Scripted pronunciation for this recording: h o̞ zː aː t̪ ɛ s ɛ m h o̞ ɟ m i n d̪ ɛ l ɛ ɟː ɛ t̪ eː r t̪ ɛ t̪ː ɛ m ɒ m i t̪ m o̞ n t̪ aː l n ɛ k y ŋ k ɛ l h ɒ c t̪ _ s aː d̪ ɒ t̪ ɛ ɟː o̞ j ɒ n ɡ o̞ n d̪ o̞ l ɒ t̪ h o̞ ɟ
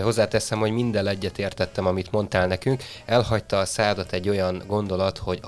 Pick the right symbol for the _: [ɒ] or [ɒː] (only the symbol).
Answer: ɒː